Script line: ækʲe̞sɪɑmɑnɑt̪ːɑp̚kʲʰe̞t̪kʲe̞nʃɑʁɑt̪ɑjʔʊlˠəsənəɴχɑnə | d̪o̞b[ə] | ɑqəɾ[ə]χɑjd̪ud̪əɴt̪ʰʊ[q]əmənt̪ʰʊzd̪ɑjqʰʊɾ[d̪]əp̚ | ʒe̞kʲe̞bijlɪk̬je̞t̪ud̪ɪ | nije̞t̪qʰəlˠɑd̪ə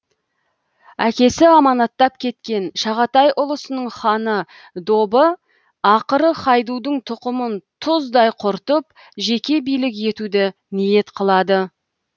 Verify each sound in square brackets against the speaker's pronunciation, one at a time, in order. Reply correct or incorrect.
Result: correct, correct, correct, incorrect

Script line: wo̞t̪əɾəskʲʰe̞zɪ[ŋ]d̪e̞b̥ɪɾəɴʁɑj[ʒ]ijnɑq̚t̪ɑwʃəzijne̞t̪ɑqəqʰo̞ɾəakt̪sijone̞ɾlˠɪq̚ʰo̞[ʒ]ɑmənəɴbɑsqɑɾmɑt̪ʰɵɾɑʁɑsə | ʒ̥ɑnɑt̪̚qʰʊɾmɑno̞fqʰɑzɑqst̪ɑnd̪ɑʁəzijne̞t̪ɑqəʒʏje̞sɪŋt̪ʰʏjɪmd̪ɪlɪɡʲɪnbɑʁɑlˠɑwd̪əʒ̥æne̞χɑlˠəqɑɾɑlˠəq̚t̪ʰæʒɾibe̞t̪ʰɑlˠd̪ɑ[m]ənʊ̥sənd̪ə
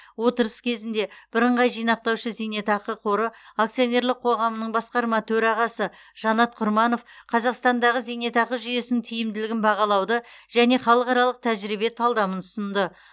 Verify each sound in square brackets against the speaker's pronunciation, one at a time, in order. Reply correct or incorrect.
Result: incorrect, correct, incorrect, correct

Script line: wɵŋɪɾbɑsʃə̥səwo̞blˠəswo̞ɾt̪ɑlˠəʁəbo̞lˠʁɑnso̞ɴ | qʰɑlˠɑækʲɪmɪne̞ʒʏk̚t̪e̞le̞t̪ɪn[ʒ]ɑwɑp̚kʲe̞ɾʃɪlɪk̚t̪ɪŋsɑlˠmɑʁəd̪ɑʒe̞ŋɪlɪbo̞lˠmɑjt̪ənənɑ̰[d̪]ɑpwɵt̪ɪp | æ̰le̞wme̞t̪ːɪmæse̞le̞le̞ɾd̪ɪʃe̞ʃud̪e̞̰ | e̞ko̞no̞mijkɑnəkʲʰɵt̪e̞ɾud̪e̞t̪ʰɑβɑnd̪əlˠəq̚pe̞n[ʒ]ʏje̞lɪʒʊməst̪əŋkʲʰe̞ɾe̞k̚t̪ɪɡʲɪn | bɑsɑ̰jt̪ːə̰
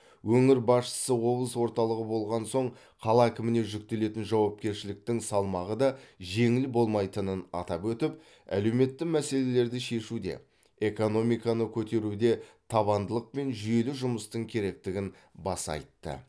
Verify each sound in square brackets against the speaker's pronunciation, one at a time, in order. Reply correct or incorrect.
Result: correct, incorrect, correct

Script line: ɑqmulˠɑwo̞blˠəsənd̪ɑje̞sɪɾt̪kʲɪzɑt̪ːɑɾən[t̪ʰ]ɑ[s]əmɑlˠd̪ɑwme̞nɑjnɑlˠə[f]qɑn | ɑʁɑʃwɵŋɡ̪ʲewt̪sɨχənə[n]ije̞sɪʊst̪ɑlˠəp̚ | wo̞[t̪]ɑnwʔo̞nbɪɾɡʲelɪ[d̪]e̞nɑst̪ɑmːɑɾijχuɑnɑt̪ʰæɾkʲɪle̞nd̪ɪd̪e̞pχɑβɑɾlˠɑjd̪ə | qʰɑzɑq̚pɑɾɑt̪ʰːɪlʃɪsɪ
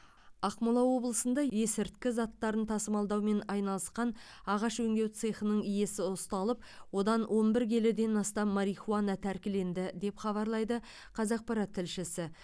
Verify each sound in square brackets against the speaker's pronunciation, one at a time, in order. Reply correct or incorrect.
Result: correct, correct, incorrect, incorrect, incorrect, correct

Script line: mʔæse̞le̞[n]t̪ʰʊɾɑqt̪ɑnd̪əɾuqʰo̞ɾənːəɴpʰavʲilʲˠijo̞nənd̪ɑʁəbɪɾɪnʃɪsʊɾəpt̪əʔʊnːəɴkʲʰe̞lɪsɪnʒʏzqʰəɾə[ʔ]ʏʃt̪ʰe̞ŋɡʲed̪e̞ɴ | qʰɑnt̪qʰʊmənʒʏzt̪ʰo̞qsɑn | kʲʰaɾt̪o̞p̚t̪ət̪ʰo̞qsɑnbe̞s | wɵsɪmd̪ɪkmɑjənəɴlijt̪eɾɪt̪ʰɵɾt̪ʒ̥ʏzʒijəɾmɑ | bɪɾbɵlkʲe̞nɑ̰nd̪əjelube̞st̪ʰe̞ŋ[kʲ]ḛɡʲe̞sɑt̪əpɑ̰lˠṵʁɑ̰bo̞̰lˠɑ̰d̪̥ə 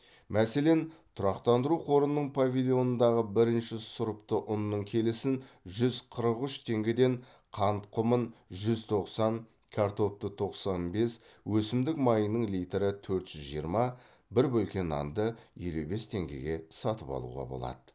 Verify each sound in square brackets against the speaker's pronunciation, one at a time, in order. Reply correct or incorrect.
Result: correct, incorrect, incorrect

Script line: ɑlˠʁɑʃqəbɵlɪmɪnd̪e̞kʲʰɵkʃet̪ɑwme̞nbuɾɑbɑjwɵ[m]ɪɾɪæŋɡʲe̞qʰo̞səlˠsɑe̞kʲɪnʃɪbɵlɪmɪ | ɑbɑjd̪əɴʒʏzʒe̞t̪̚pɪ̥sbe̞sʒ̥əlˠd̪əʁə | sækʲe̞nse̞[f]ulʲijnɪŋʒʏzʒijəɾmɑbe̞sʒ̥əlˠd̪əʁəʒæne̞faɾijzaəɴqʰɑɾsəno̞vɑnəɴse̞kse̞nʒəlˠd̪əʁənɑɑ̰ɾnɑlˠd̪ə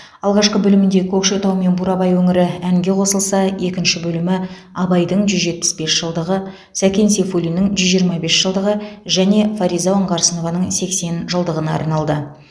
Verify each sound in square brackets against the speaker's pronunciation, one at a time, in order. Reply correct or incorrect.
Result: incorrect, correct

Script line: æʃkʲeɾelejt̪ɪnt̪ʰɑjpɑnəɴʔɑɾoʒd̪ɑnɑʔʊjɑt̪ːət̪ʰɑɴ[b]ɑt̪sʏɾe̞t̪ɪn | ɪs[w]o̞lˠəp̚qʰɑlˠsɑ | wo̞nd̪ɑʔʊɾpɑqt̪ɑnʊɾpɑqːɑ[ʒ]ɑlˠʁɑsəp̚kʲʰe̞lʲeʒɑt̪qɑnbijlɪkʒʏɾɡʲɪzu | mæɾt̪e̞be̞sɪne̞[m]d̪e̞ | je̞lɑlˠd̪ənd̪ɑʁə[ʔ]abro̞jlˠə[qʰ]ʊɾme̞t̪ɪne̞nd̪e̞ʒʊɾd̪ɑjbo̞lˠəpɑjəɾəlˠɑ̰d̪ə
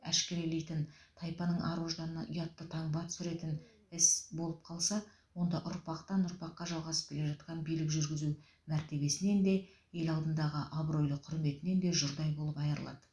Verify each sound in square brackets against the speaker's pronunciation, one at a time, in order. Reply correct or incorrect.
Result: correct, incorrect, correct, incorrect, correct, correct

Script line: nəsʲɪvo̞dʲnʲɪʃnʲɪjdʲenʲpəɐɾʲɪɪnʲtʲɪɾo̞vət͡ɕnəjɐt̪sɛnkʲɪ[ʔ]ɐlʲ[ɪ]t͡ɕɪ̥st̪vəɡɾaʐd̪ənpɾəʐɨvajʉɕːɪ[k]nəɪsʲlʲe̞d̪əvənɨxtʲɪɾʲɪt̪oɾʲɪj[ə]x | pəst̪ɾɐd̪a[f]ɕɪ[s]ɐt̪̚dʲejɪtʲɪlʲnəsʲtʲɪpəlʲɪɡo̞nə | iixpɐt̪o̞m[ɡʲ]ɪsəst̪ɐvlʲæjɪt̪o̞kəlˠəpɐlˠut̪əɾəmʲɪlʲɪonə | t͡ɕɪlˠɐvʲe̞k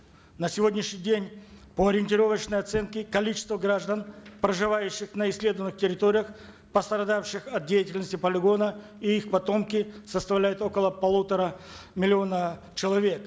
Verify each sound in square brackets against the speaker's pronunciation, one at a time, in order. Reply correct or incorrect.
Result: incorrect, incorrect, incorrect, correct, correct, incorrect, incorrect

